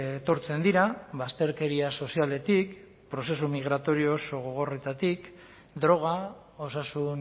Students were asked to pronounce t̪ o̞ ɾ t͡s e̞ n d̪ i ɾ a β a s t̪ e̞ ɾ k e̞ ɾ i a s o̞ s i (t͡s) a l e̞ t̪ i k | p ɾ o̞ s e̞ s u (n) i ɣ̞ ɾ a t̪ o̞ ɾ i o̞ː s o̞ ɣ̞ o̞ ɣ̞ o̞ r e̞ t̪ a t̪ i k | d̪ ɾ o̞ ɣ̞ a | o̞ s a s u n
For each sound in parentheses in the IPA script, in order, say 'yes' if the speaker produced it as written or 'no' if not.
no, no

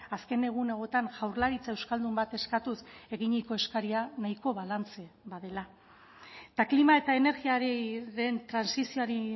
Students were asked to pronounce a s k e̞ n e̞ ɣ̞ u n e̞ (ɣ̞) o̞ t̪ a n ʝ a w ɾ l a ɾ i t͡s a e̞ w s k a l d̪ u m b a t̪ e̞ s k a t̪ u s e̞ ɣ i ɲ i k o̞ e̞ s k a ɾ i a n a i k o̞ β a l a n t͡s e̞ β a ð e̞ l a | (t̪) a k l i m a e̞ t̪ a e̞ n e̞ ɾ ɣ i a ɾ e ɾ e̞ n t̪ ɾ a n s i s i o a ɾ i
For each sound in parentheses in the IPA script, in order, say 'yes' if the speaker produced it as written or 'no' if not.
yes, yes

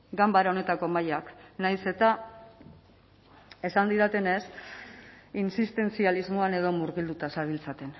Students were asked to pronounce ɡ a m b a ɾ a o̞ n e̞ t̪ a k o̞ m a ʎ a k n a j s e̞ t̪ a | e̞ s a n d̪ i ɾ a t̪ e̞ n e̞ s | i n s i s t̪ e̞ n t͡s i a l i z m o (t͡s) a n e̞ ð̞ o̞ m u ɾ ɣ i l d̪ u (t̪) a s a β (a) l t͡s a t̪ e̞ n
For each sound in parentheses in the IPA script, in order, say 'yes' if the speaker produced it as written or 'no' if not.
no, yes, no

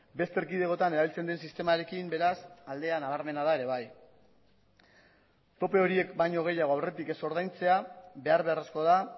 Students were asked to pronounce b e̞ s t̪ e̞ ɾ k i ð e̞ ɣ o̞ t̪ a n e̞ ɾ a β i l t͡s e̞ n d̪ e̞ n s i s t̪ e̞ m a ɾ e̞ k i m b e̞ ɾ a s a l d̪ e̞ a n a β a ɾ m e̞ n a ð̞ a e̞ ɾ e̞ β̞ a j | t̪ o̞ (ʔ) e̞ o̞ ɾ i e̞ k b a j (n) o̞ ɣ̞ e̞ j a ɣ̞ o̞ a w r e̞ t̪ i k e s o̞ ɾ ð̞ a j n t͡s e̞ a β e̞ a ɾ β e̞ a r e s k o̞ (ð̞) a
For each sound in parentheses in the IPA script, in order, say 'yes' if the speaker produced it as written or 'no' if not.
no, no, yes

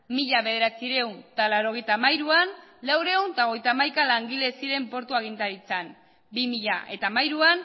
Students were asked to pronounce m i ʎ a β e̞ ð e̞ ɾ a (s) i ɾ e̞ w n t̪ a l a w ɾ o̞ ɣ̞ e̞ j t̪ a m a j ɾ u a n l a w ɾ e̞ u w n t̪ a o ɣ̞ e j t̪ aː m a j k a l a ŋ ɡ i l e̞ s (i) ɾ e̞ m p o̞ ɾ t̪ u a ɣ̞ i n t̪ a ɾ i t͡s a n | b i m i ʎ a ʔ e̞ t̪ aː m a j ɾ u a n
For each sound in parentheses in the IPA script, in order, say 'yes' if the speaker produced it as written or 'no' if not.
no, yes

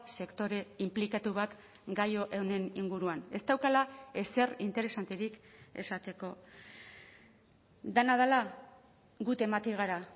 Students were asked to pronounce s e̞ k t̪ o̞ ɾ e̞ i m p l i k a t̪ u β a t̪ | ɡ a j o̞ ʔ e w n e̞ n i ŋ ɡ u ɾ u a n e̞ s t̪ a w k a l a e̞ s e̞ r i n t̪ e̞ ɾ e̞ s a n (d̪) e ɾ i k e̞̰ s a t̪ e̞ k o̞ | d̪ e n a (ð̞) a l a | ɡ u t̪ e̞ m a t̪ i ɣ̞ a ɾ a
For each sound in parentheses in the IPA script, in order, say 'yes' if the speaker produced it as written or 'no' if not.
no, yes

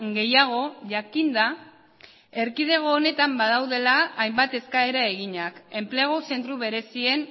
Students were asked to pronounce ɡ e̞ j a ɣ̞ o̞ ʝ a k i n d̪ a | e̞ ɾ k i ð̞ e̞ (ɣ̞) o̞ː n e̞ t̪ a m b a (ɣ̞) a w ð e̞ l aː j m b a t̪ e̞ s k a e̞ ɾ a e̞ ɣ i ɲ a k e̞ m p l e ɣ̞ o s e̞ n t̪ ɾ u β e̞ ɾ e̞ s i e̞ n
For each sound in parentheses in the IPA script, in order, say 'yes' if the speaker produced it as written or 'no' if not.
yes, no

